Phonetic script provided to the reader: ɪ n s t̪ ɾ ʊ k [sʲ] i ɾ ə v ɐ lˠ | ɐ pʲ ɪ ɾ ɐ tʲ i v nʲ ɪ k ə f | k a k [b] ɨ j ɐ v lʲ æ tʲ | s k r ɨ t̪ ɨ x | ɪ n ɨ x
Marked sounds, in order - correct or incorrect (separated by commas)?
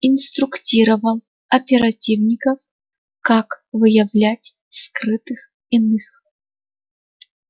incorrect, incorrect